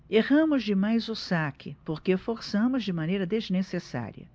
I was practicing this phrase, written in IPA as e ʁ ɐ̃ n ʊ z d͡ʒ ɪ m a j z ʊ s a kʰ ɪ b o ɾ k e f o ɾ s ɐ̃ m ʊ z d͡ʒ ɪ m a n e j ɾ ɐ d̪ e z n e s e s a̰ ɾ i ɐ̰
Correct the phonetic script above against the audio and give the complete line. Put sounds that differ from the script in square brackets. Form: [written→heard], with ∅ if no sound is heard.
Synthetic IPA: e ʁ ɐ̃ [n→m] ʊ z d͡ʒ ɪ m a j z ʊ s a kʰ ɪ [b→p] o ɾ k e f o ɾ s ɐ̃ m ʊ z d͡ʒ ɪ m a n e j ɾ ɐ d̪ e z n e s e s a̰ ɾ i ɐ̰